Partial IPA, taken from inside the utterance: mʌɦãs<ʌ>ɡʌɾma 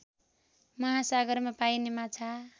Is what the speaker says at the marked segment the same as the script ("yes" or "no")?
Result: no